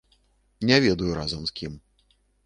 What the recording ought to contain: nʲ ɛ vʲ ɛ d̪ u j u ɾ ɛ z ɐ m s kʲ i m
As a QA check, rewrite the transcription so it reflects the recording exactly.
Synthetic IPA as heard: nʲ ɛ vʲ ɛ d̪ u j u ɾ a z ɐ m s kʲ i m